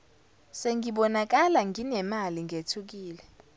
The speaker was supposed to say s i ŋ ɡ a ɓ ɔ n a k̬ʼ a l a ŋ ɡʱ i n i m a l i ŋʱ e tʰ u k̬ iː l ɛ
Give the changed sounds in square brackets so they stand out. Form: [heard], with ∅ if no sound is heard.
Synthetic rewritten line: s [e] ŋ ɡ [i] ɓ ɔ n a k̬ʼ a l a ŋ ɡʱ i n [ɛ] m a l i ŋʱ e tʰ u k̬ iː l ɛ

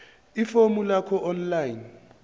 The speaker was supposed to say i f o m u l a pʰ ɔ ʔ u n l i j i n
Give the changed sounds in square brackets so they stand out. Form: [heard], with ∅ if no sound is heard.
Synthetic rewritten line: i f o m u l a [kʰ] ɔ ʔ [ɔ] n l [a] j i n

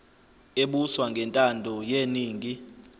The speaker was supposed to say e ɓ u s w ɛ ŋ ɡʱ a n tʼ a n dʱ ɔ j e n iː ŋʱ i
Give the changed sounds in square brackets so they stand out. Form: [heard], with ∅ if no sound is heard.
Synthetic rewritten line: e ɓ u s w [a] ŋ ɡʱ [ɛ] n tʼ a n dʱ ɔ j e n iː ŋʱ i

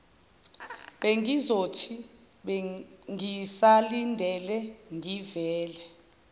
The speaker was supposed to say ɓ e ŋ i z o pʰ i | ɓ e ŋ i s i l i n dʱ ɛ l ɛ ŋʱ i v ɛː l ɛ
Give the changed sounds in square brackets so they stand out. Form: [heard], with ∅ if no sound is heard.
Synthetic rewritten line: ɓ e ŋ i z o [tʰ] i | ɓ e ŋ i s [a] l i n dʱ ɛ l ɛ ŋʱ i v ɛː l ɛ

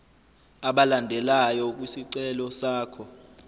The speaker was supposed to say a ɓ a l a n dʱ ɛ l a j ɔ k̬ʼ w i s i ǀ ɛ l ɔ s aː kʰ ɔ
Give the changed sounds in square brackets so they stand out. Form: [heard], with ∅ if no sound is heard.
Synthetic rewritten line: a ɓ a l a n dʱ ɛ l a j ɔ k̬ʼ w i s i ǀ ɛ l ɔ s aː kʰ ɔ

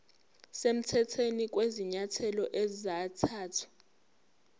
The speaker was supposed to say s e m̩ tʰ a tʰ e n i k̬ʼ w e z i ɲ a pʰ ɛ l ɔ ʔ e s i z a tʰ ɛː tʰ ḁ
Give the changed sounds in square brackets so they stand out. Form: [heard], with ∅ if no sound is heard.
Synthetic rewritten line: s e m̩ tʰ [ɛ] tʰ e n i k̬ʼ w e z i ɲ a [tʰ] ɛ l ɔ ʔ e [z] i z a tʰ [aː] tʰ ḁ

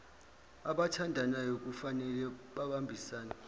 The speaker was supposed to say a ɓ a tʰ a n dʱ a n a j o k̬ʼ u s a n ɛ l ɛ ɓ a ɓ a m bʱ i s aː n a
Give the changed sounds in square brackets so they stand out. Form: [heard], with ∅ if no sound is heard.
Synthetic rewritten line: a ɓ a tʰ a n dʱ a n a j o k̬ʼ u [f] a n ɛ l ɛ ɓ a ɓ a m bʱ i s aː n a

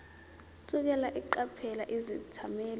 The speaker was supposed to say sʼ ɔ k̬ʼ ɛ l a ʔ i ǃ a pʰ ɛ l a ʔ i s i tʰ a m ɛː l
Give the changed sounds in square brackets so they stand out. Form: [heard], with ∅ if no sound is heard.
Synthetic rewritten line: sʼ [u] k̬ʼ ɛ l a ʔ i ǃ a pʰ ɛ l a ʔ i [z] i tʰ a m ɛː l

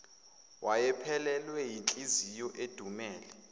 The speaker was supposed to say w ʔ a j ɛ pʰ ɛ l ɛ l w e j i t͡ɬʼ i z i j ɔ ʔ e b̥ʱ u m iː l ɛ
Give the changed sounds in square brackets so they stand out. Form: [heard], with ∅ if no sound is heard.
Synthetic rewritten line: w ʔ a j ɛ pʰ ɛ l ɛ l w [ɛ] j i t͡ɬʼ i z i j ɔ ʔ e [d̥ʱ] u m [ɛː] l ɛ

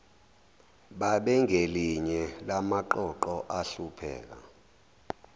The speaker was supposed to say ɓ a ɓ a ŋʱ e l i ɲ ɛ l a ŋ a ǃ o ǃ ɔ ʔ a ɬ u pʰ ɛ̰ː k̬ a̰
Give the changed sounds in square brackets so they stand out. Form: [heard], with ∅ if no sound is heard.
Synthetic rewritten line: ɓ a ɓ [ɛ] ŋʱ e l i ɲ ɛ l a [m] a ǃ [ɔ] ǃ ɔ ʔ a ɬ u pʰ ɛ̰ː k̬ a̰

